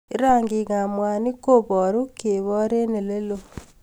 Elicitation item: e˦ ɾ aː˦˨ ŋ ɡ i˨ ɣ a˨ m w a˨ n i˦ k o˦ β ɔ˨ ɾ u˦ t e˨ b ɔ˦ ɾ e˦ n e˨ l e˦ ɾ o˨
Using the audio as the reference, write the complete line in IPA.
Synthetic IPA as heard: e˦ ɾ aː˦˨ ŋ ɡ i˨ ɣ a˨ m w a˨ n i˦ k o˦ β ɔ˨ ɾ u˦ k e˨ β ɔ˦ ɾ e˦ n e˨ l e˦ l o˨